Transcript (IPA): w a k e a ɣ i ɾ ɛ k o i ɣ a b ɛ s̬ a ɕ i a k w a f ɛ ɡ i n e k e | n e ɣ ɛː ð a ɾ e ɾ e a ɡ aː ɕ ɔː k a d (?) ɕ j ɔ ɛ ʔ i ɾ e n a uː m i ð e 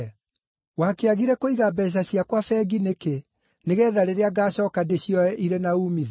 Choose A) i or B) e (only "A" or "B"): B